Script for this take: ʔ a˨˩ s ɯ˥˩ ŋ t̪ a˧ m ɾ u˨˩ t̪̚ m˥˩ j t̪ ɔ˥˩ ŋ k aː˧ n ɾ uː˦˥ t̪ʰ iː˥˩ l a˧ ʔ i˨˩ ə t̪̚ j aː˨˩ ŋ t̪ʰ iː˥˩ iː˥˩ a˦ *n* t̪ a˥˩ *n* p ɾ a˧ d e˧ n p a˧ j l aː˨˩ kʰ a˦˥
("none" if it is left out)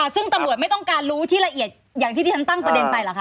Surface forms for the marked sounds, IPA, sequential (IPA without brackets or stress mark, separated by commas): n, ŋ